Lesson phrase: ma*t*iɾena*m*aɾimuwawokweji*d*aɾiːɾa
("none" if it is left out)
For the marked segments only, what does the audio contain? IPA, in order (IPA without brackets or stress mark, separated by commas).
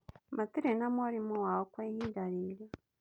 t, m, d